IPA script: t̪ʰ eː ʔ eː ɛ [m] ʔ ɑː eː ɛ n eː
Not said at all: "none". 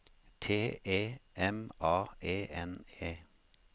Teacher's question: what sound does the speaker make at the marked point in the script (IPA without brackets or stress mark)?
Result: m